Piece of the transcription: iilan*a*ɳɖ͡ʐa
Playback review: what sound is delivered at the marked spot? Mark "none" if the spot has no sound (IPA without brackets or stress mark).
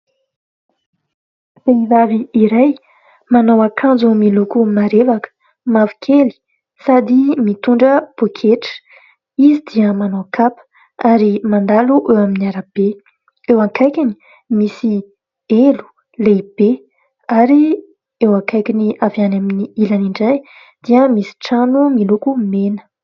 i